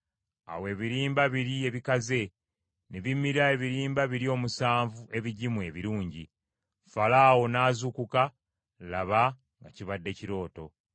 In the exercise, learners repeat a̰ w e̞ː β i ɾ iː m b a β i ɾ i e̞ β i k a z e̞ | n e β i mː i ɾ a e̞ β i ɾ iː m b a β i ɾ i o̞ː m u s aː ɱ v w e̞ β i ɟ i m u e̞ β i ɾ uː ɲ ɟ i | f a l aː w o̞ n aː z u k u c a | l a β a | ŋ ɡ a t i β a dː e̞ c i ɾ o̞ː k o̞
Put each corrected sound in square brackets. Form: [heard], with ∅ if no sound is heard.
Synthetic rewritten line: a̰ w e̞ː β i ɾ iː m b a β i ɾ i e̞ β i k a z e̞ | n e β i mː i ɾ a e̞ β i ɾ iː m b a β i ɾ i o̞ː m u s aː ɱ v [u] e̞ β i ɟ i m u e̞ β i ɾ uː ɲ ɟ i | f a l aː w o̞ n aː z u k u [k] a | l a β a | ŋ ɡ a [c] i β a dː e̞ c i ɾ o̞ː [t] o̞